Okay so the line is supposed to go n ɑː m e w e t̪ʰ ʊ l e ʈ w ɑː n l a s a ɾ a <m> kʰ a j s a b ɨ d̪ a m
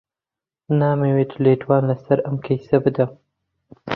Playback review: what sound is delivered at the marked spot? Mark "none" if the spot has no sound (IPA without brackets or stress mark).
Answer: m